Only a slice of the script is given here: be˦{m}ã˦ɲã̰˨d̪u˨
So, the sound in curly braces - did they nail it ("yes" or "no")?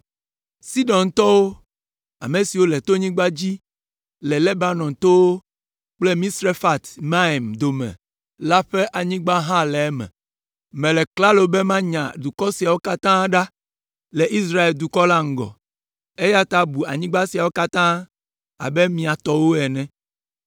yes